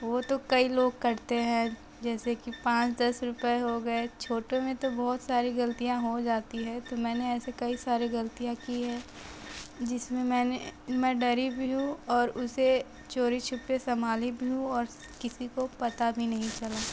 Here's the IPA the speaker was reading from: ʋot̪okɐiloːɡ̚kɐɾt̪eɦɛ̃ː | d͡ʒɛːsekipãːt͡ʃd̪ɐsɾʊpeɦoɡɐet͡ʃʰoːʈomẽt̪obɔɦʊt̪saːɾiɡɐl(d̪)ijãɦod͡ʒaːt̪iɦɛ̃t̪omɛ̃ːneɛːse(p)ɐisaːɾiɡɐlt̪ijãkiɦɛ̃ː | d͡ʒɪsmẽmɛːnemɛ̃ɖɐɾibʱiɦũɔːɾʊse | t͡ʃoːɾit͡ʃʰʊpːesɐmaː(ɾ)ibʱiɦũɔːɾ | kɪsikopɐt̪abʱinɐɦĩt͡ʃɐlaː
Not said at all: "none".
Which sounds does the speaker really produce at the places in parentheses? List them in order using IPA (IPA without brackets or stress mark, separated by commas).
t̪, k, l